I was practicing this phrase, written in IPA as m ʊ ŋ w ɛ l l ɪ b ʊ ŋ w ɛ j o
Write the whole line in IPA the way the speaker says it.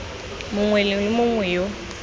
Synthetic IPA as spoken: m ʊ ŋ w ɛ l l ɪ m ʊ ŋ w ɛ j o